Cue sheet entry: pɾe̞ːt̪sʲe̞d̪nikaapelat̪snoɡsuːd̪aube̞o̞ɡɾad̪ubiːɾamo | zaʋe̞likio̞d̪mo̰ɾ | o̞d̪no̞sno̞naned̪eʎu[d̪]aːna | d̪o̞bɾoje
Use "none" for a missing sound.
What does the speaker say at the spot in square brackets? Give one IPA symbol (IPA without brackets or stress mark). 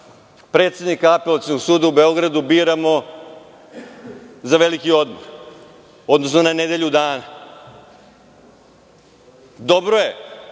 d̪